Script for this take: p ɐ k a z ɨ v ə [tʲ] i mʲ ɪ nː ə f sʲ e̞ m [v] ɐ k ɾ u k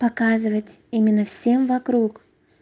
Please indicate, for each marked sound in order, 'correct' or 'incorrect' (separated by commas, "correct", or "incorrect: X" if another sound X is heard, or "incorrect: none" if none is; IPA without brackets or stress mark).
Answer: correct, correct